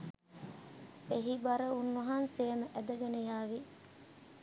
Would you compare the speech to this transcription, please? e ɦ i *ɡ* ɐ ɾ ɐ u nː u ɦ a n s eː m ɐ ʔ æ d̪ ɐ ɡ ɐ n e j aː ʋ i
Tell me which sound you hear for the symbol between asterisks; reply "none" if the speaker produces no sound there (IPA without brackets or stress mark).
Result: b